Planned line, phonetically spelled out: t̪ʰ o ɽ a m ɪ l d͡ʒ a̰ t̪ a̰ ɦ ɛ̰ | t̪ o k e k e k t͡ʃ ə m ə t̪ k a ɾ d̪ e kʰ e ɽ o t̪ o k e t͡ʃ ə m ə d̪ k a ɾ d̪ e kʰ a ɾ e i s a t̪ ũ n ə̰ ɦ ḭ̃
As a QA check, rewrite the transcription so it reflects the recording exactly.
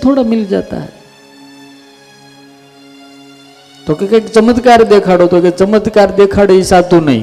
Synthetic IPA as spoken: t̪ʰ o ɽ a m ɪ l d͡ʒ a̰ t̪ a̰ ɦ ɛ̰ | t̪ o k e k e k t͡ʃ ə m ə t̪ k a ɾ d̪ e kʰ a ɽ o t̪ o k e t͡ʃ ə m ə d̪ k a ɾ d̪ e kʰ a ɽ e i s a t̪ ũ n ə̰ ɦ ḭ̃